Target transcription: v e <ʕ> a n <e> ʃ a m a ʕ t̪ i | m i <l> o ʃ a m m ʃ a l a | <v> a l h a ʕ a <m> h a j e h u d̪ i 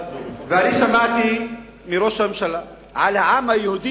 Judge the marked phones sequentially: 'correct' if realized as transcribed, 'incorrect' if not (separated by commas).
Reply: incorrect, incorrect, incorrect, incorrect, correct